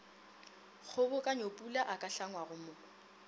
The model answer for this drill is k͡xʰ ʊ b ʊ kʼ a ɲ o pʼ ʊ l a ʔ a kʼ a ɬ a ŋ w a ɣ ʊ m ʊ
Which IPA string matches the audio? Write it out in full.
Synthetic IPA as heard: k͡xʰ ʊ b ʊ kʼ a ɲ o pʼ u l a ʔ a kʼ a ɬ a ŋ w a ɣ ʊ m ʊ